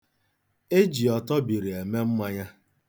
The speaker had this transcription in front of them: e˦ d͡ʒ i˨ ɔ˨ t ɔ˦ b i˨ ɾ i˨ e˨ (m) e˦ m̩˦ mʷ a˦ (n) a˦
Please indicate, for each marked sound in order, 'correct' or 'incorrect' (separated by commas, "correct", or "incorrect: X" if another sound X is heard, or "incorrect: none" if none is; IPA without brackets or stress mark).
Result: correct, incorrect: ɲ